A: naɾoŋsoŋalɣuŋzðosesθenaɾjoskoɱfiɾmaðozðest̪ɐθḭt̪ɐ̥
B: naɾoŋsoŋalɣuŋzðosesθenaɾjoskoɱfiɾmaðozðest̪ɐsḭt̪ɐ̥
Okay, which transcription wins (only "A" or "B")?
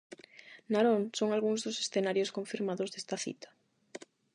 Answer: A